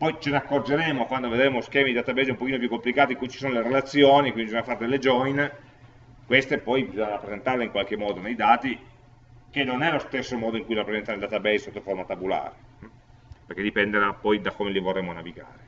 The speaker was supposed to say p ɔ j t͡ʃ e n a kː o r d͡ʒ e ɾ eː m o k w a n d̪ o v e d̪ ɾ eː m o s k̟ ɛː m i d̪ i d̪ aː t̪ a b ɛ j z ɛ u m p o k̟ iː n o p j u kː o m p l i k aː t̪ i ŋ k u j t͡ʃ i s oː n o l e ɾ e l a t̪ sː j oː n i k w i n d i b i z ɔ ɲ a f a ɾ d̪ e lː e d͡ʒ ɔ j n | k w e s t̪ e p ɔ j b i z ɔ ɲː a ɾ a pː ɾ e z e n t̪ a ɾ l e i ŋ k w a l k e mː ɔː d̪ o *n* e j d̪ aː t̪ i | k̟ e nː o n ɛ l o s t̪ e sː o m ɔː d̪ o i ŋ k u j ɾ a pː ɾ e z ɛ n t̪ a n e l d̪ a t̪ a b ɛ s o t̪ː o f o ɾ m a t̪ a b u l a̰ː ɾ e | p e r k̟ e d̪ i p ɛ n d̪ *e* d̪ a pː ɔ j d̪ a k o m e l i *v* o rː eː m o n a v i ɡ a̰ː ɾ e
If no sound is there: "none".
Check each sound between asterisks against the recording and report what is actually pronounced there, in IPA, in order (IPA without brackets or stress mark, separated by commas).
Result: n, e, v